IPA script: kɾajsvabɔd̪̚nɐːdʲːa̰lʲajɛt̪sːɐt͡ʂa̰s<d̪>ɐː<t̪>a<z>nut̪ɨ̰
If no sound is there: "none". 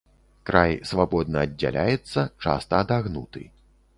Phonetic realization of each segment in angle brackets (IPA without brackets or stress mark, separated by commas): t̪, d̪, ɣ